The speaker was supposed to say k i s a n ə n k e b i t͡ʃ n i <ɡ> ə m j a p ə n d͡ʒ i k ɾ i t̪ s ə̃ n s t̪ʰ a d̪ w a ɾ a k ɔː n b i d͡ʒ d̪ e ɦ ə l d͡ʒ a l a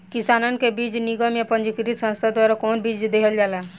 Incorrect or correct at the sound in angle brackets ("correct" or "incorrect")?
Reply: correct